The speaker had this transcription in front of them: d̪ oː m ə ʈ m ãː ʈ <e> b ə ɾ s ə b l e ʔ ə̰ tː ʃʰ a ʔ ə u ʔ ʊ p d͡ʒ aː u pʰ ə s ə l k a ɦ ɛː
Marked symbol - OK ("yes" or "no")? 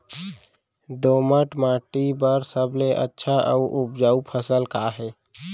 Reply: no